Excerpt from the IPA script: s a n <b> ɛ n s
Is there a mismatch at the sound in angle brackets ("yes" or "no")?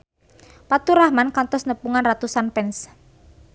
yes